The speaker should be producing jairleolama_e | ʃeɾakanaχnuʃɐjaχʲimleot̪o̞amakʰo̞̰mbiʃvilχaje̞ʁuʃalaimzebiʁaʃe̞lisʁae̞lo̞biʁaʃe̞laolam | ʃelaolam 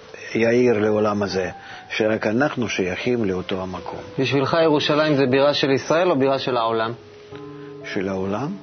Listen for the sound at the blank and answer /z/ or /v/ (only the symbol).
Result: z